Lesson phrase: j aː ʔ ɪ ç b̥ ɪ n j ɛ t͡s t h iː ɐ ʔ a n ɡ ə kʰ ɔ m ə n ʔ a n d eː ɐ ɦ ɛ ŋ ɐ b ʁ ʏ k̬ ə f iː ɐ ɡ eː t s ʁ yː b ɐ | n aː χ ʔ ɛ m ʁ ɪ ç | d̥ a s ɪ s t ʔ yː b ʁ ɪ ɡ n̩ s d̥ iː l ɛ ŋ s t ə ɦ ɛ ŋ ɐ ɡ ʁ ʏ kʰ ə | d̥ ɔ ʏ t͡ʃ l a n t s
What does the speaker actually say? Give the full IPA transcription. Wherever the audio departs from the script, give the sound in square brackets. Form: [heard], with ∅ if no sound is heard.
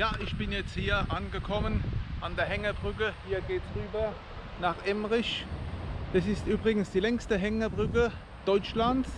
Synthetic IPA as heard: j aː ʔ ɪ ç b̥ ɪ n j ɛ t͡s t h iː ɐ ʔ a n ɡ ə kʰ ɔ m ə n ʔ a n d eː ɐ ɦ ɛ ŋ ɐ b ʁ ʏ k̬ ə [h] iː ɐ ɡ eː t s ʁ yː b ɐ | n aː χ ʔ ɛ m ʁ ɪ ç | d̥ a s ɪ s t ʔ yː b ʁ ɪ ɡ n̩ s d̥ iː l ɛ ŋ s t ə ɦ ɛ ŋ ɐ [b] ʁ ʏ [k] ə | d̥ ɔ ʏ t͡ʃ l a n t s